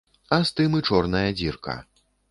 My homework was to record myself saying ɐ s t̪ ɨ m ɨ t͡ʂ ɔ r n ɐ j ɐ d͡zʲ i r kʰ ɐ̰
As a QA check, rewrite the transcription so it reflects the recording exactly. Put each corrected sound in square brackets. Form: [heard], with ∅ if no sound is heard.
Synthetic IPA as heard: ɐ s t̪ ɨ m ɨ t͡ʂ ɔ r n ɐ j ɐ d͡zʲ i r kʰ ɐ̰